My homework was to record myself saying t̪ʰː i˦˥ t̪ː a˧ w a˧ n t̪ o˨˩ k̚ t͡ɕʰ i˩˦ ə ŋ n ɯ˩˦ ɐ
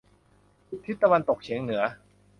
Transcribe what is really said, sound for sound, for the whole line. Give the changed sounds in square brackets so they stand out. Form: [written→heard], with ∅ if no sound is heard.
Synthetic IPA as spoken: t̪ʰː i˦˥ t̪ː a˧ w a˧ n t̪ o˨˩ k̚ t͡ɕʰ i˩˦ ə ŋ n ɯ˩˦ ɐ